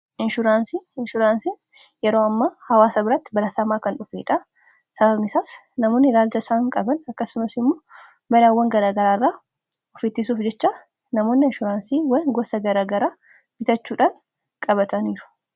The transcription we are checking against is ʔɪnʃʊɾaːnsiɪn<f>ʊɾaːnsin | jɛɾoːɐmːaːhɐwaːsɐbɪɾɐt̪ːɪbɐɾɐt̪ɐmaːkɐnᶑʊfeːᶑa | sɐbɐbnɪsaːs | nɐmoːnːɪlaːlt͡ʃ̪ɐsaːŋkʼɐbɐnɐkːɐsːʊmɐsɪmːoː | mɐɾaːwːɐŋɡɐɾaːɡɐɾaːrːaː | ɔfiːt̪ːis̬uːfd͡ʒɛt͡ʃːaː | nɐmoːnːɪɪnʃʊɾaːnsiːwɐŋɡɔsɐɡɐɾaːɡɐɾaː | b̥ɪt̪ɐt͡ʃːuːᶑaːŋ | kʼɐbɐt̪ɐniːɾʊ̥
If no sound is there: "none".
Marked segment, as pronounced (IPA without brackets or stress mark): ʃ